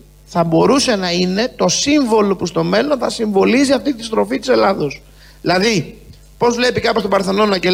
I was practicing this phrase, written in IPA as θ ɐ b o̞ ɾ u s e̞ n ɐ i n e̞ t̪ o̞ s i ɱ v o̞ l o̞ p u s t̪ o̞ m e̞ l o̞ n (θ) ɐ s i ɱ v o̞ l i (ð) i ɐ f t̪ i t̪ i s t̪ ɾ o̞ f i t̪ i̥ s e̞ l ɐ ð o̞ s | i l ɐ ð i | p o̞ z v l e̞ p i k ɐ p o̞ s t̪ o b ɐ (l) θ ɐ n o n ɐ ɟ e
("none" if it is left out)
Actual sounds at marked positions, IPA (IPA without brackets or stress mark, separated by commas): θ, z, ɾ